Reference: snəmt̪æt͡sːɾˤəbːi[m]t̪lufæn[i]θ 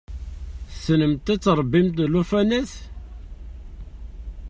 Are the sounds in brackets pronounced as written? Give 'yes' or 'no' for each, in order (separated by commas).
yes, no